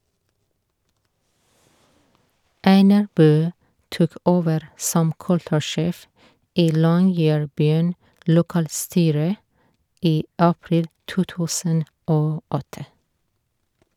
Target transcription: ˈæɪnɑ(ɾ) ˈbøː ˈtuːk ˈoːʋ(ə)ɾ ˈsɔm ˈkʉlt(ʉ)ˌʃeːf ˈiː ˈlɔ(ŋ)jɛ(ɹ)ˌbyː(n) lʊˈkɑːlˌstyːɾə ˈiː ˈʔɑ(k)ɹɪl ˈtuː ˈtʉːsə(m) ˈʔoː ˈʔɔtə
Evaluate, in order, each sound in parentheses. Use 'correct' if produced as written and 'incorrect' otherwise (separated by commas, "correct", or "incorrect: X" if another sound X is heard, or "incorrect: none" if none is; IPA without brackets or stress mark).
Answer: incorrect: ɹ, correct, correct, correct, correct, correct, incorrect: p, incorrect: n